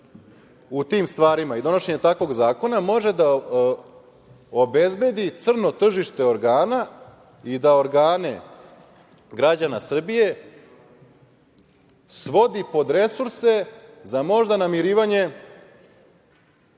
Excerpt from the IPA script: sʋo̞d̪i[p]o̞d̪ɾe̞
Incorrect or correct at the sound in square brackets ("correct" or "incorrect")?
correct